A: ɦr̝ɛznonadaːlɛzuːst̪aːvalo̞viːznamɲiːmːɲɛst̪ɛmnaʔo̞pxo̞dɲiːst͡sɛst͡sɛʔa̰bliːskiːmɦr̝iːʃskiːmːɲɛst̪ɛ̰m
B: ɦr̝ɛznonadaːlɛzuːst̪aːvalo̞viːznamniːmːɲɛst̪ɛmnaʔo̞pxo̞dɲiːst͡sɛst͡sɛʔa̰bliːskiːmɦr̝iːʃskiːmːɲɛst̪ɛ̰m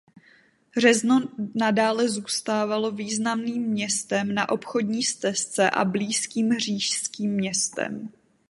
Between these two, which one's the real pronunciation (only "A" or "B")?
B